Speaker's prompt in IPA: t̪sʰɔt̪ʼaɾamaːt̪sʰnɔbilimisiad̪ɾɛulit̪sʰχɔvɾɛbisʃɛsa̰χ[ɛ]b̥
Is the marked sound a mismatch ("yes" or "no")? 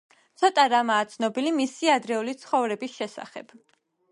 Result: no